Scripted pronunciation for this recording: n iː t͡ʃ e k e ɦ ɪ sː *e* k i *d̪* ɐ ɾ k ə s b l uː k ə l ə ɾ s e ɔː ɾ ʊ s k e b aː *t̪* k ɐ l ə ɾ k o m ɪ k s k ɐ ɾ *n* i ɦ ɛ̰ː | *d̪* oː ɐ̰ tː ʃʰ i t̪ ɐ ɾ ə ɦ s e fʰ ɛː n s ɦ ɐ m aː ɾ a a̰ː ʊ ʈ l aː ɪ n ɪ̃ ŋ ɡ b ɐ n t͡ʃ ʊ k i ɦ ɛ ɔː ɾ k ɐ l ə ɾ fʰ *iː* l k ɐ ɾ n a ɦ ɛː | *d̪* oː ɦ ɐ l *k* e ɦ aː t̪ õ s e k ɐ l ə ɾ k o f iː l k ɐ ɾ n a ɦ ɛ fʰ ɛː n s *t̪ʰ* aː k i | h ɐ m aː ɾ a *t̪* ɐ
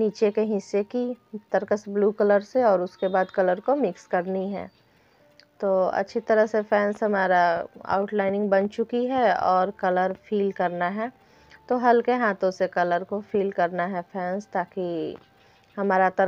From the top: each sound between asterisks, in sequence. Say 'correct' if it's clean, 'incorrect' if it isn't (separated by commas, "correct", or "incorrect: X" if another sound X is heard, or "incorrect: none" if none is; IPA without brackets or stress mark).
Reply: correct, incorrect: t̪, incorrect: d̪, correct, incorrect: t̪, correct, incorrect: t̪, correct, incorrect: t̪, correct